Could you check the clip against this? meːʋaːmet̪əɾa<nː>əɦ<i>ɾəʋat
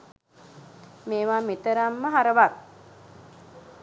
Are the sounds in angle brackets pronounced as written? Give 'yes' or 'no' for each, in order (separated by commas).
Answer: no, no